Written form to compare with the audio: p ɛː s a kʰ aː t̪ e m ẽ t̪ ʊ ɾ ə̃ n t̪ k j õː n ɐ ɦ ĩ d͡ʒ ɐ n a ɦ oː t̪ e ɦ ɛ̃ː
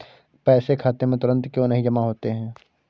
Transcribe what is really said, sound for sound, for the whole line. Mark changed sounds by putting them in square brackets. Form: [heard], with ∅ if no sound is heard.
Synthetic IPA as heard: p ɛː s [e] kʰ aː t̪ e m ẽ t̪ ʊ ɾ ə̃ n t̪ k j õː n ɐ ɦ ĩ d͡ʒ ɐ [m] a ɦ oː t̪ e ɦ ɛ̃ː